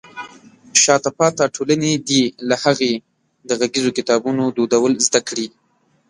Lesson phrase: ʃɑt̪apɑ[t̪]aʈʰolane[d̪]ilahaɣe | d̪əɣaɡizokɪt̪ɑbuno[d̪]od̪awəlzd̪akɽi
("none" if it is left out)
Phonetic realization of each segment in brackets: t̪, d̪, d̪

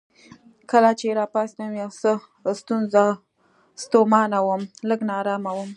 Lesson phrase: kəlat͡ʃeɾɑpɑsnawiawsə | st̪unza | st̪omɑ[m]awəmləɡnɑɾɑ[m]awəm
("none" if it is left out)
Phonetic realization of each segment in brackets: n, m

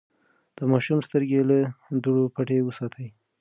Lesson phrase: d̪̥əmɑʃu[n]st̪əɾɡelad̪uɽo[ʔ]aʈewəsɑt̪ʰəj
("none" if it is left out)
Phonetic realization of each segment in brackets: m, p

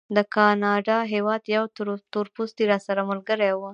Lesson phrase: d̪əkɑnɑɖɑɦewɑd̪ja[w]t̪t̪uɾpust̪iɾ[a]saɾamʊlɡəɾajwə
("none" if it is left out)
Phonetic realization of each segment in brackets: w, ɑ

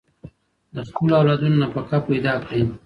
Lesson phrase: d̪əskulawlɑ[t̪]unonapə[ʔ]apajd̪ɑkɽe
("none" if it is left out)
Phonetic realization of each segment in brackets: d̪, k

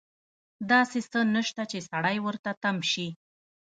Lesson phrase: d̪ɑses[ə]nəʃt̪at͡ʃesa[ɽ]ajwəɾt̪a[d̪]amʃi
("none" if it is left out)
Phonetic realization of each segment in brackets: ə, ɽ, t̪

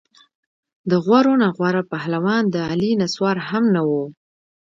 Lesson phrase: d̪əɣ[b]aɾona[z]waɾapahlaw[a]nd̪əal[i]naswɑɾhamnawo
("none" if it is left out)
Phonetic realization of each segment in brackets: w, ɣ, ɑ, i

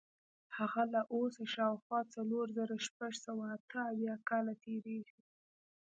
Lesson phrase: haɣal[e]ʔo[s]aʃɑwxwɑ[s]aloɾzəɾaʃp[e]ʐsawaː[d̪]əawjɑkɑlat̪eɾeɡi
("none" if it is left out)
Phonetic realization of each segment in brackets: a, s, t͡s, a, t̪

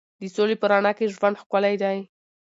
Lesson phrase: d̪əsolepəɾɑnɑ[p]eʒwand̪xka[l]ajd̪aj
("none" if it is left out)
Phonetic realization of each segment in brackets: k, l

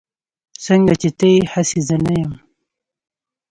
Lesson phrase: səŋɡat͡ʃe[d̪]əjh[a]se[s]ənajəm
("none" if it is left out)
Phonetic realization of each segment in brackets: t̪, a, z

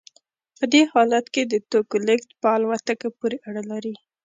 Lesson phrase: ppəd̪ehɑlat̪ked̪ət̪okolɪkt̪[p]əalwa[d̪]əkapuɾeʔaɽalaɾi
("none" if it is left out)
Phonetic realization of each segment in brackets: p, t̪

